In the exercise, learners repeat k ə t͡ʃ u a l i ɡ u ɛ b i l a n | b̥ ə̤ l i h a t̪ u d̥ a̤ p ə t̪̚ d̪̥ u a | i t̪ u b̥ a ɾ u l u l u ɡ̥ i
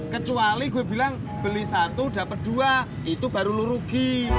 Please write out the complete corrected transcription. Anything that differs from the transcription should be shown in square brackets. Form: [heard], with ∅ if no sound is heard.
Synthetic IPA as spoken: k ə t͡ʃ u a l i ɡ u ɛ b i l a [ŋ] | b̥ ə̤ l i [s] a t̪ u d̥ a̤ p ə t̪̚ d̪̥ u a | i t̪ u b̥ a ɾ u l u [ɾ] u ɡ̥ i